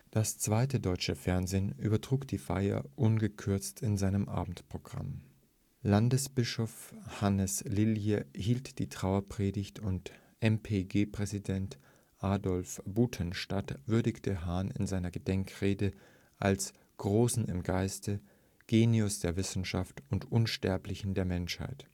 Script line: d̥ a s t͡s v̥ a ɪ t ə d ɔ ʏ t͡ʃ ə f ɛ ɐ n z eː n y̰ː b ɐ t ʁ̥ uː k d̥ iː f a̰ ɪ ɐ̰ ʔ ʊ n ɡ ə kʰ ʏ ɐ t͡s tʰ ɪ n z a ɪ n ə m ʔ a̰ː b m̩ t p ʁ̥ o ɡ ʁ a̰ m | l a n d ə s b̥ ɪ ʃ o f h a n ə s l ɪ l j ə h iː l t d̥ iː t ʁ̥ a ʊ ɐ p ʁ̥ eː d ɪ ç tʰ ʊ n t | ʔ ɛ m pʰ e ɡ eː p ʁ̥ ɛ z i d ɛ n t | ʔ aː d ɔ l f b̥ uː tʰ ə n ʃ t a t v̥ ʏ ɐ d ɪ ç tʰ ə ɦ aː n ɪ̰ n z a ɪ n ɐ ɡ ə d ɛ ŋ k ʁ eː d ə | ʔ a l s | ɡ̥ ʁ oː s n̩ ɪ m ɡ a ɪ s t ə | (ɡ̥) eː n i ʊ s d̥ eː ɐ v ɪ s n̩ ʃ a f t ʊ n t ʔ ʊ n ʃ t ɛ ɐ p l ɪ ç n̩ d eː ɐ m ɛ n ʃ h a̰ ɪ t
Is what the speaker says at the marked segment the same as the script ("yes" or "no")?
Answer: yes